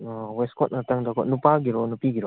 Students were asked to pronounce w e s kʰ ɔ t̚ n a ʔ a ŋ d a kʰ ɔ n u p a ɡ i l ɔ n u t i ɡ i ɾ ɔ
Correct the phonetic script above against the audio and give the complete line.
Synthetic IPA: w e s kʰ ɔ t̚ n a t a ŋ d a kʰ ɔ n u p a ɡ i ɾ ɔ n u p i ɡ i ɾ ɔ